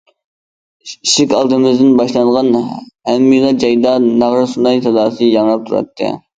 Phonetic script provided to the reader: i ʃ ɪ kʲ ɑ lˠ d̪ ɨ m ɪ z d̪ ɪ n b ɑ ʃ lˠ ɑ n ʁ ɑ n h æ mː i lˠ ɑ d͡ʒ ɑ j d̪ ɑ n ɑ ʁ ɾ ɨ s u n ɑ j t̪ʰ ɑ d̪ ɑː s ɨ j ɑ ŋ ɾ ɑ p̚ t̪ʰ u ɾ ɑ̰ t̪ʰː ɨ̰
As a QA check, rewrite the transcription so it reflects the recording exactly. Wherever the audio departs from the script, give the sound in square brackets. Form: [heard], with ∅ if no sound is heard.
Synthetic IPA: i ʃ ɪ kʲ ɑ lˠ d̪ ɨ m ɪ z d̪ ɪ n b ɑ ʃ lˠ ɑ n ʁ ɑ n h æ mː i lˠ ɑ d͡ʒ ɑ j d̪ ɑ n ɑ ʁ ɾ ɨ s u n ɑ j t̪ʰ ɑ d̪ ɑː s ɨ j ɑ ŋ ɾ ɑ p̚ t̪ʰ u ɾ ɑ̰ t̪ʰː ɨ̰

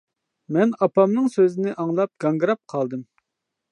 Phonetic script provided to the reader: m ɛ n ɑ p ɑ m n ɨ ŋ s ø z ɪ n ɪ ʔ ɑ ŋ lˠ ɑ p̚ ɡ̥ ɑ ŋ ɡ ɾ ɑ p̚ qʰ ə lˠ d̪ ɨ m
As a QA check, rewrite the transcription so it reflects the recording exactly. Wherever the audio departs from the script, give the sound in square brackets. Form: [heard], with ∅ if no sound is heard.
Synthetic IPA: m ɛ n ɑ p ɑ m n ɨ ŋ s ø z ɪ n ɪ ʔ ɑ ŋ lˠ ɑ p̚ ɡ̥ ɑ ŋ ɡ ɾ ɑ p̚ qʰ [ɑ] lˠ d̪ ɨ m

